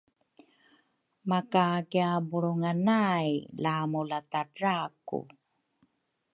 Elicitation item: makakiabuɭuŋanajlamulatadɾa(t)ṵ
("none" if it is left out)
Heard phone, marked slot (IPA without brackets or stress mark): k